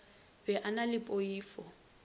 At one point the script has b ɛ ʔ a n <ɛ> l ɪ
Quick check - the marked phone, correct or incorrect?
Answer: incorrect